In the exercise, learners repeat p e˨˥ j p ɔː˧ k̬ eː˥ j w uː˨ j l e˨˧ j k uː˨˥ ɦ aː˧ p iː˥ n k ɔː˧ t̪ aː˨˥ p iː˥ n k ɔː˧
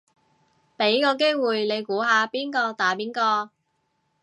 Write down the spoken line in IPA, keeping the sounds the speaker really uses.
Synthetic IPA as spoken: p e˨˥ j k ɔː˧ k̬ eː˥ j w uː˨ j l e˨˧ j k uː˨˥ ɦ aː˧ p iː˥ n k ɔː˧ t̪ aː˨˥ p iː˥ n k ɔː˧